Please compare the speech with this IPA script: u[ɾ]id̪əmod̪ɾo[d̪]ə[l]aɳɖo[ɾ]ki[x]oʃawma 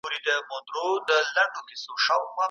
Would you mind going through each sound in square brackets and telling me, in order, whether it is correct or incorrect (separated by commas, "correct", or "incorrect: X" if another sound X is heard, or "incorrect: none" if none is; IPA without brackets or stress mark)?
correct, correct, correct, incorrect: none, incorrect: s